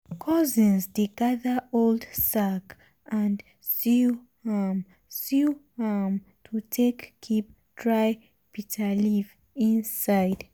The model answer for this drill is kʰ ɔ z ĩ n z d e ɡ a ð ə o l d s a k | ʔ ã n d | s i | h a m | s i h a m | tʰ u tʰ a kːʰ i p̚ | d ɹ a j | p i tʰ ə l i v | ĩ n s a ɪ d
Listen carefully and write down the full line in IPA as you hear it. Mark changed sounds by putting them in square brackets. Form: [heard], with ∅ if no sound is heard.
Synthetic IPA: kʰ ɔ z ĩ n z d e ɡ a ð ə o l d s a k | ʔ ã n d | s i | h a m | s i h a m | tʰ u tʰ [e] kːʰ i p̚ | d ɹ a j | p i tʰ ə l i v | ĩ n s a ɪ d